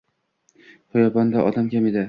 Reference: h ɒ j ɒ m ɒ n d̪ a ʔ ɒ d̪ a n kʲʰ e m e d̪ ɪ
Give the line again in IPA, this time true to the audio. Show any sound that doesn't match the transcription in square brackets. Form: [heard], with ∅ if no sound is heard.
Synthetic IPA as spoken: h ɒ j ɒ [b] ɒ n d̪ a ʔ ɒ d̪ a [m] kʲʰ [a] m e d̪ ɪ